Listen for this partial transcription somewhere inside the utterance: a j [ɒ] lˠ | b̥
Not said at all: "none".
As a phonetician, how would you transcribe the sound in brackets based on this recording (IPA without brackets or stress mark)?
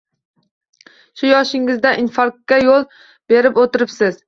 o